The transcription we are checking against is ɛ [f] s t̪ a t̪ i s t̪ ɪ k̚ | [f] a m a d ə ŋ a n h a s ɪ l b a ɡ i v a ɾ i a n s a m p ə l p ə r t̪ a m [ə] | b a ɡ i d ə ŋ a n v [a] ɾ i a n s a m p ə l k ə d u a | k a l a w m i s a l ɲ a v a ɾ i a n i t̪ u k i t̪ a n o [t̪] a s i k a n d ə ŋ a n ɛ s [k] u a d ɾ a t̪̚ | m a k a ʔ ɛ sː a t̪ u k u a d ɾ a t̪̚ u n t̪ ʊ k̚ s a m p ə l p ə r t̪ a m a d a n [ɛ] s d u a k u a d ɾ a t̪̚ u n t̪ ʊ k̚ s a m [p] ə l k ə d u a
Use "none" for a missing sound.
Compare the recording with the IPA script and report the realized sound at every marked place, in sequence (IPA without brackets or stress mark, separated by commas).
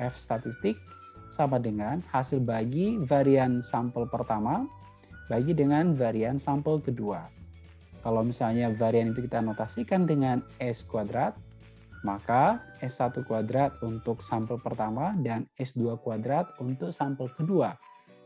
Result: f, s, a, a, t̪, k, ɛ, p